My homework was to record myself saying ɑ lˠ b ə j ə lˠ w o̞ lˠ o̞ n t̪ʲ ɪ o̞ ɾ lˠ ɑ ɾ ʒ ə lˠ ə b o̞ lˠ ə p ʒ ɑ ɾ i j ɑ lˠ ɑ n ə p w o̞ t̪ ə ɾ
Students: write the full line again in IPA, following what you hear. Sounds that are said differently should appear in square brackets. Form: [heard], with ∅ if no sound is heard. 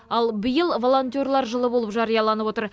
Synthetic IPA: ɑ lˠ b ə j ə lˠ [v] o̞ lˠ o̞ n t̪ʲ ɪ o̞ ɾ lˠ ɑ ɾ ʒ ə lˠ ə b o̞ lˠ ə p ʒ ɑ ɾ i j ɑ lˠ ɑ n ə p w o̞ t̪ ə ɾ